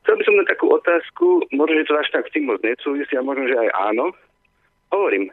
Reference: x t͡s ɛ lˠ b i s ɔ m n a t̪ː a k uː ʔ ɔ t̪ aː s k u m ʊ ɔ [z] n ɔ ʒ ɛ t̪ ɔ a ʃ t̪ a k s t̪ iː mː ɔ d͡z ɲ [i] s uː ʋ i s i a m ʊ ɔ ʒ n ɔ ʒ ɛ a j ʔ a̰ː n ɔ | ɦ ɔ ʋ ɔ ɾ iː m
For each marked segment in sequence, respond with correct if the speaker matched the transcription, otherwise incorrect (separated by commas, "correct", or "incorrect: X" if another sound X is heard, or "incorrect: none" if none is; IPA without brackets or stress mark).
incorrect: ʒ, incorrect: ɛ